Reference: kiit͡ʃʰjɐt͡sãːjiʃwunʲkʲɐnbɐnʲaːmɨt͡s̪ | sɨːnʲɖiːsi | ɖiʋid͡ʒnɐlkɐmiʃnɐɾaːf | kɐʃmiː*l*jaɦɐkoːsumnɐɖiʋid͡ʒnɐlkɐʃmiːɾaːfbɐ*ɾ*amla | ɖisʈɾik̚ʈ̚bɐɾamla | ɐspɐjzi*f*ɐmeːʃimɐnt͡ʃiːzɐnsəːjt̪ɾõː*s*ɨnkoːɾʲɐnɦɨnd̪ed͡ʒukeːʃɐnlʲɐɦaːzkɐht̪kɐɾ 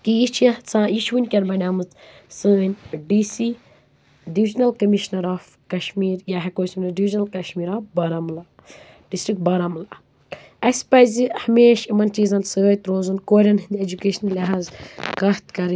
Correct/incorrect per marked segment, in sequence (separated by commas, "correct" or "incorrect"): incorrect, correct, incorrect, incorrect